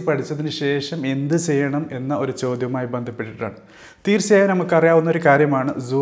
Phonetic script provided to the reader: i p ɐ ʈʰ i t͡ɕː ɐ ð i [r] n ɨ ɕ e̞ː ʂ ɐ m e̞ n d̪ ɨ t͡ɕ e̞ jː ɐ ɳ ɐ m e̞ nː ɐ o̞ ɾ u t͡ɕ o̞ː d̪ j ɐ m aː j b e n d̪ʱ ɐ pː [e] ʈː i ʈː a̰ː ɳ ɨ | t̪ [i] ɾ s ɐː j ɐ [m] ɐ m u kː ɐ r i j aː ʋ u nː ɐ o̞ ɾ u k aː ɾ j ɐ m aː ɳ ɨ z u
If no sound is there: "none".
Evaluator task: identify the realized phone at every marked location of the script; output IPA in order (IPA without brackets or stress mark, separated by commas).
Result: none, e, iː, n